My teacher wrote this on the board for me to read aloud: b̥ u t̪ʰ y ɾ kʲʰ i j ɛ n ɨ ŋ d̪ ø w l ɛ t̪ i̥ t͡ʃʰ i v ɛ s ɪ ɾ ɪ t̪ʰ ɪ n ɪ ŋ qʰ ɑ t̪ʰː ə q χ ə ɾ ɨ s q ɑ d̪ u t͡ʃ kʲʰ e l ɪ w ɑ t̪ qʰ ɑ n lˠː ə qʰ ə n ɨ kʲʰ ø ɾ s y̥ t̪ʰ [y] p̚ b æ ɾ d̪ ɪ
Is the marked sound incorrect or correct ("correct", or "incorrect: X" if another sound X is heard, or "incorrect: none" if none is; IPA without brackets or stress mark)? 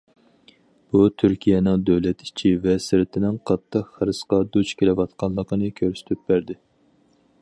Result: correct